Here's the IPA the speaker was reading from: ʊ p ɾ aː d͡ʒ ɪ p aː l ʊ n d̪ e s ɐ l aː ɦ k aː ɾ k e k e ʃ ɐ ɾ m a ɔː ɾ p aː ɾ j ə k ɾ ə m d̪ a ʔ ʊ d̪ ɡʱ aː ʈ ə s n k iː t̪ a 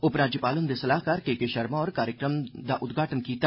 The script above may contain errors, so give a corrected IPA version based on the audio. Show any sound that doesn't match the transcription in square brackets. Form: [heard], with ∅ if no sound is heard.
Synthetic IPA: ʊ p ɾ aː d͡ʒ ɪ p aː l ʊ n d̪ e s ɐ l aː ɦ k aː ɾ k e k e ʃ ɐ ɾ m a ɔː ɾ [k] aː ɾ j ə k ɾ ə m d̪ a ʔ ʊ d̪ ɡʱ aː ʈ ə [∅] n k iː t̪ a

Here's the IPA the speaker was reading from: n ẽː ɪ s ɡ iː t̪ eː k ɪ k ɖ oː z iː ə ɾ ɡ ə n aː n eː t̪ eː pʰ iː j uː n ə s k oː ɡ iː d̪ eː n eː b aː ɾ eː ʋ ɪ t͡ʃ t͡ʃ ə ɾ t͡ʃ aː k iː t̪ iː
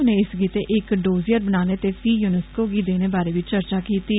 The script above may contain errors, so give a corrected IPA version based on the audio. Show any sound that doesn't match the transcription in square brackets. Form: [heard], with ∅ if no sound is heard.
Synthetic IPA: n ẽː ɪ s ɡ iː t̪ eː [ʔ] ɪ k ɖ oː z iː ə ɾ [b] ə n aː n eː t̪ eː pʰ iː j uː n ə s k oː ɡ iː d̪ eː n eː b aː ɾ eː ʋ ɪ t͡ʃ t͡ʃ ə ɾ t͡ʃ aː k iː t̪ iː

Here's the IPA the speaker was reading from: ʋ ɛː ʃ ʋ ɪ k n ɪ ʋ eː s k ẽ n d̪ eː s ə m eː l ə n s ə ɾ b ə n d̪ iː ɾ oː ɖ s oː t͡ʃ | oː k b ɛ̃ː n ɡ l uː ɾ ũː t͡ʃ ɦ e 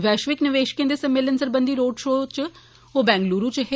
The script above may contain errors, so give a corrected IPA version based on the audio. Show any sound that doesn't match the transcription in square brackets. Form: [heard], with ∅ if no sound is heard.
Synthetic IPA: ʋ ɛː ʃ ʋ ɪ k n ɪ ʋ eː [ʃ] k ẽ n d̪ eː s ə m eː l ə n s ə ɾ b ə n d̪ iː ɾ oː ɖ [ʃ] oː t͡ʃ | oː [∅] b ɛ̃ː [ŋ] ɡ l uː ɾ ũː t͡ʃ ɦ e

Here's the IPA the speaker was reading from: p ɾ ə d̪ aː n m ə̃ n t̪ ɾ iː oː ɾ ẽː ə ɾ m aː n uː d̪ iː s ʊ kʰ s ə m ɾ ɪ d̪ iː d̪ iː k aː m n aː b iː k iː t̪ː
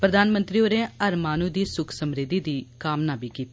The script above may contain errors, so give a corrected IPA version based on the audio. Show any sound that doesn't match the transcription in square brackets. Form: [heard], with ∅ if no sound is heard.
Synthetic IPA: p ɾ ə d̪ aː n m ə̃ n t̪ ɾ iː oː ɾ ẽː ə ɾ m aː n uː d̪ iː s ʊ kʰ s ə m ɾ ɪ d̪ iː d̪ iː k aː m n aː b iː k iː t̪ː

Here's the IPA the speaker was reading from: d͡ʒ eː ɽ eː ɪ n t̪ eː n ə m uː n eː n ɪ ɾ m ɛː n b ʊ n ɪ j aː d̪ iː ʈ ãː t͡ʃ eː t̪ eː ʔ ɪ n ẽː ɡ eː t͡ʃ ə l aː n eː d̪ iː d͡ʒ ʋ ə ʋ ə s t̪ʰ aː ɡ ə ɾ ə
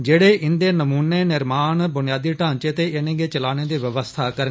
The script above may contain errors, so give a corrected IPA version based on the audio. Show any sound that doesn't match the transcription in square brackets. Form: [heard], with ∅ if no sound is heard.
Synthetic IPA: d͡ʒ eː ɽ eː ɪ n [d̪] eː n ə m uː n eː n ɪ ɾ m [aː] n b ʊ n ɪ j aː d̪ iː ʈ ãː t͡ʃ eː t̪ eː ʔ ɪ n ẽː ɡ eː t͡ʃ ə l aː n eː d̪ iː [∅] ʋ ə ʋ ə s t̪ʰ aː [k] ə ɾ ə

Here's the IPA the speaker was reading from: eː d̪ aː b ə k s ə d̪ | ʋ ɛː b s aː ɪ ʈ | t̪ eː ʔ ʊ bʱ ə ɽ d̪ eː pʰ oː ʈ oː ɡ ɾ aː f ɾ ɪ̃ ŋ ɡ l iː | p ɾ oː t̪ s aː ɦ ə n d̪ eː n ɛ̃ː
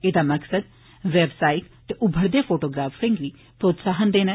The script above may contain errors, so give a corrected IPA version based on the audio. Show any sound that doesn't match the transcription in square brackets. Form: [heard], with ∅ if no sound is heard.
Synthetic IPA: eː d̪ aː [m] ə k s ə d̪ | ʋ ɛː b s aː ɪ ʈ | t̪ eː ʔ ʊ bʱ ə [ɾ] d̪ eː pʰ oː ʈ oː ɡ ɾ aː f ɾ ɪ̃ ŋ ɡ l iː | p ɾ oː t̪ s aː ɦ ə n d̪ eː n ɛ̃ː

